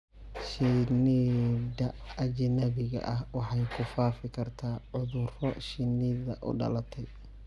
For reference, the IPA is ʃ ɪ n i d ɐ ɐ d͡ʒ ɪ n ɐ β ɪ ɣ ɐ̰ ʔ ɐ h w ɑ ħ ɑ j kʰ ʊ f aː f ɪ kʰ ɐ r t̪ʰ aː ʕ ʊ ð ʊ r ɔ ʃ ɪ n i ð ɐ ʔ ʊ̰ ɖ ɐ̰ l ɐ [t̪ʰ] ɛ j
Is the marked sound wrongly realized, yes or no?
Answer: no